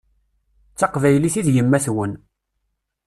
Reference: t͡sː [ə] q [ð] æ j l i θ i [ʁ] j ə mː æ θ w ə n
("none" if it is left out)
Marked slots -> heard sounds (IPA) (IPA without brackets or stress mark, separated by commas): ɑ, v, ð